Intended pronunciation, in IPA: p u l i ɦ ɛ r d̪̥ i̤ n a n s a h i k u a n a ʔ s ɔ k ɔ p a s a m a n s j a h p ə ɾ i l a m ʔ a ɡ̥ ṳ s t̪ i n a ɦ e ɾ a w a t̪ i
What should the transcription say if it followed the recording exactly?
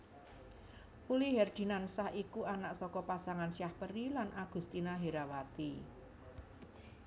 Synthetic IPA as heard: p u l i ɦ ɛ r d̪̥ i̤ n a n s a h i k u a n a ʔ s ɔ k ɔ p a s a ŋ a n s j a h p ə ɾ i l a n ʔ a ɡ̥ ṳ s t̪ i n a ɦ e ɾ a w a t̪ i